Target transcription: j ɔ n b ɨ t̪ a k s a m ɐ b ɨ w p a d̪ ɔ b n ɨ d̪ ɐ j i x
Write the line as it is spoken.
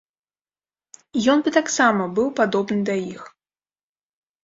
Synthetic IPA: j ɔ n b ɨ t̪ a k s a m ɐ b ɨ w p a d̪ ɔ b n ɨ d̪ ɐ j i x

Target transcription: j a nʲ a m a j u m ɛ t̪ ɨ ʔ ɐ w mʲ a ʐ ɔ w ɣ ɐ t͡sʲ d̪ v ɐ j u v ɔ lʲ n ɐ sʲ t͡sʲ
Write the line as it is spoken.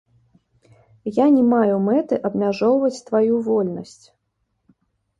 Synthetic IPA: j a nʲ ɛ m a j u m ɛ t̪ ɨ ʔ ɐ b mʲ a ʐ ɔ w v ɐ t͡sʲ t̪ v a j u v ɔ lʲ n ɐ sʲ t͡sʲ

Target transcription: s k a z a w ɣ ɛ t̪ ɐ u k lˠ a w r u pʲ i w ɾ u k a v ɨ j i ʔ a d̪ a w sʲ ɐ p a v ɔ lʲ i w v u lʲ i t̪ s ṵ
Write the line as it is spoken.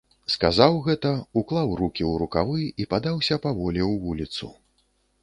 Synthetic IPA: s k a z a w ɣ ɛ t̪ ɐ u k lˠ a w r u kʲ i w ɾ u k a v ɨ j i p a d̪ a w sʲ ɐ p a v ɔ lʲ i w v u lʲ i t̪ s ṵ

